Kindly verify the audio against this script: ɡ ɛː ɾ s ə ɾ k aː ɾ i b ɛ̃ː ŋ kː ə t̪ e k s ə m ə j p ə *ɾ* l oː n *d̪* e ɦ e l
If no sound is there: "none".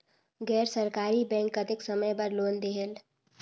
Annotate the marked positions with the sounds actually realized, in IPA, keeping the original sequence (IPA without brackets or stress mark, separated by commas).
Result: ɾ, d̪